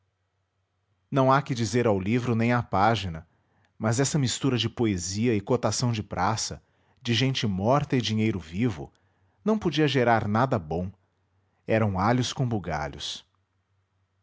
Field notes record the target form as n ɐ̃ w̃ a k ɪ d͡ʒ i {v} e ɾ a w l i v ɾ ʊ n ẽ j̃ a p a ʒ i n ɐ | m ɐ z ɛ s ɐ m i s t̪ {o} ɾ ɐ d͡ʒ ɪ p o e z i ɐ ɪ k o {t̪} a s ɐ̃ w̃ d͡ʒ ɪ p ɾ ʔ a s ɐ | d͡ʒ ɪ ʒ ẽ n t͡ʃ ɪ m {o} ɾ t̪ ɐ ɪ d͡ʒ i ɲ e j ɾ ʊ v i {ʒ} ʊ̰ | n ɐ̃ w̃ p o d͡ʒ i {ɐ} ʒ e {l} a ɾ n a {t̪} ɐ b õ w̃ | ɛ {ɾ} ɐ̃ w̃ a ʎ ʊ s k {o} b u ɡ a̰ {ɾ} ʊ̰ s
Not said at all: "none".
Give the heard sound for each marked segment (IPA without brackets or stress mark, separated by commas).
z, u, t̪, ɔ, v, ɐ, ɾ, d̪, ɾ, õ, ʎ